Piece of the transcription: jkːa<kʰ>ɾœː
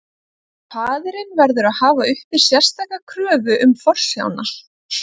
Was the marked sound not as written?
no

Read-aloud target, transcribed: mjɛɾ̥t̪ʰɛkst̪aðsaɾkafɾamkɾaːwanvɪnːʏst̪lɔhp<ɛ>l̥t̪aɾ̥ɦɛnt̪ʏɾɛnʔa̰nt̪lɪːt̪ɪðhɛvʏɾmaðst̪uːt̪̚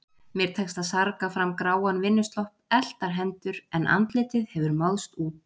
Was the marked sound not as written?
no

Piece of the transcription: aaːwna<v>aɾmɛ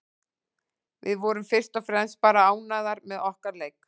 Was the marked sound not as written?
yes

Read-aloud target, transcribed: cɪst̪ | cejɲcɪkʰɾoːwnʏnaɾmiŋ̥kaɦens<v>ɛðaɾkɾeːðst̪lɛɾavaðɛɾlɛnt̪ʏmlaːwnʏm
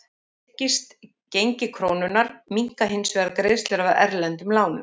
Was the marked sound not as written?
no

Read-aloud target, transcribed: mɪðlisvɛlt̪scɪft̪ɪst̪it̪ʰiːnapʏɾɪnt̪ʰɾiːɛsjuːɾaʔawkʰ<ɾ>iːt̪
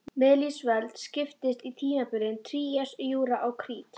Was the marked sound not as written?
no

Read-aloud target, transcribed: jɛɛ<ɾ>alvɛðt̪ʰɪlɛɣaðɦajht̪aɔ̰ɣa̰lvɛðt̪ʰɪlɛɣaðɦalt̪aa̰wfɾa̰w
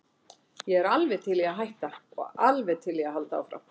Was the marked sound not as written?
no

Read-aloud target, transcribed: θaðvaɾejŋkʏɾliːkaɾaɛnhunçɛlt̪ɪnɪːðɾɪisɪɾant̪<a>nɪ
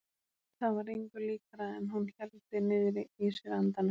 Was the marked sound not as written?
no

